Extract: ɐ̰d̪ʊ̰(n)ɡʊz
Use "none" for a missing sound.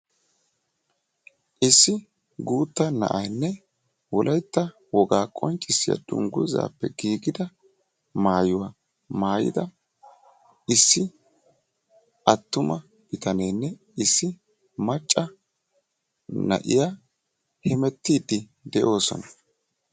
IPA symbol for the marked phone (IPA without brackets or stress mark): ŋ